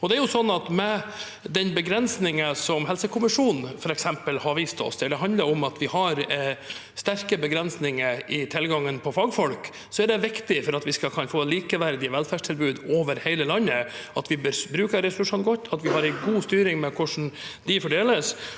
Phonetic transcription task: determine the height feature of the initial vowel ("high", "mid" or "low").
mid